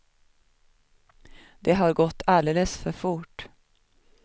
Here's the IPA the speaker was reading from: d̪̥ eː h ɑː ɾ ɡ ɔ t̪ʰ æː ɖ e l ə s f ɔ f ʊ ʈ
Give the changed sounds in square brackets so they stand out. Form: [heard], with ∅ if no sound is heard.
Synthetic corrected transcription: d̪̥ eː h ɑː ɾ ɡ ɔ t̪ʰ æː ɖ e l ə s f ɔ f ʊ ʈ